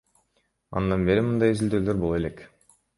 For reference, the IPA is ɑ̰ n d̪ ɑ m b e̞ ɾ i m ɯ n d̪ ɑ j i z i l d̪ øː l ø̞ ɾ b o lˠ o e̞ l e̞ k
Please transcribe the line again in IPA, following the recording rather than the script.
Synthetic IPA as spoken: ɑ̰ n d̪ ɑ n b e̞ ɾ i m ɯ n d̪ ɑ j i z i l d̪ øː l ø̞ ɾ b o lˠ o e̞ l e̞ k

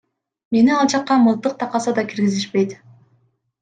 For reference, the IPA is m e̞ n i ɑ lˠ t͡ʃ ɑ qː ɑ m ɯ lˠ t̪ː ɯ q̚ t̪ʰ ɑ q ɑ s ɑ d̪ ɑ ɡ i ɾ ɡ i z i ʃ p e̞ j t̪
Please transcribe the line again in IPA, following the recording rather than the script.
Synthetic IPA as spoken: m e̞ n i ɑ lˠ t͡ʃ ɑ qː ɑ m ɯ lˠ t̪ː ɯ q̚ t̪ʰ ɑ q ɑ s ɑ d̪ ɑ k i ɾ ɡ i z i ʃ p e̞ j t̪

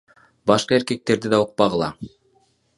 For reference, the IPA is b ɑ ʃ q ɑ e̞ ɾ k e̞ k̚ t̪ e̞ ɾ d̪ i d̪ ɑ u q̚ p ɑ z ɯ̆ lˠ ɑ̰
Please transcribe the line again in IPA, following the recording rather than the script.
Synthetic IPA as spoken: b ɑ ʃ q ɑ e̞ ɾ k e̞ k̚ t̪ e̞ ɾ d̪ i d̪ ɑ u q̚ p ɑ ʁ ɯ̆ lˠ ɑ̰

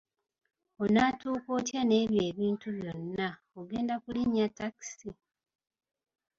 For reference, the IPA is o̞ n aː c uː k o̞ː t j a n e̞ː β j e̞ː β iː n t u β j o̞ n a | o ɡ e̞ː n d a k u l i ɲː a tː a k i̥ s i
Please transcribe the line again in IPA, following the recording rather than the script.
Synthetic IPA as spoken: o̞ n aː t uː k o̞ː t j a n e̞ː β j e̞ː β iː n t u β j o̞ nː a | o ɡ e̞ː n d a k u l i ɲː a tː a k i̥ s i

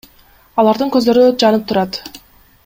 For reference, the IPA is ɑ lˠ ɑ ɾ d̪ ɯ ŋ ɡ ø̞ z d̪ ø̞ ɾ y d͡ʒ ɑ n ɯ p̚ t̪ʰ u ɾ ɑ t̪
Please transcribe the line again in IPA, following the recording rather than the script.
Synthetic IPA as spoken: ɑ lˠ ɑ ɾ d̪ ɯ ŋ k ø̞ z d̪ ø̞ ɾ y d͡ʒ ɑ n ɯ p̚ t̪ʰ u ɾ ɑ t̪

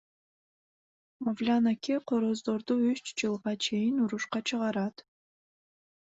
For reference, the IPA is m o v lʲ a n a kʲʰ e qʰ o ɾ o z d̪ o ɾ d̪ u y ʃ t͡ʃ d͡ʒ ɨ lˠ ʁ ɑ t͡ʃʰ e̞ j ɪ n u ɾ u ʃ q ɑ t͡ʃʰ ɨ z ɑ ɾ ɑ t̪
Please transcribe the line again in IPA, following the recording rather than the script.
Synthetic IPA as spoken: m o v lʲ a n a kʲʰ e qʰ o ɾ o z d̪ o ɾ d̪ u y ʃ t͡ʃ d͡ʒ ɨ lˠ ʁ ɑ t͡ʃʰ e̞ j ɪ n u ɾ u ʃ q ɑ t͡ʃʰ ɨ ʁ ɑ ɾ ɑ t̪

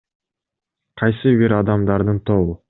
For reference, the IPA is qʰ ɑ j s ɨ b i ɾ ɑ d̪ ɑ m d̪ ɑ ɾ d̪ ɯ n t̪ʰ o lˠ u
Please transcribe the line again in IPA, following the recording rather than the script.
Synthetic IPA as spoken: qʰ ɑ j s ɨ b i ɾ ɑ d̪ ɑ m d̪ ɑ ɾ d̪ ɯ n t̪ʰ o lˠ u

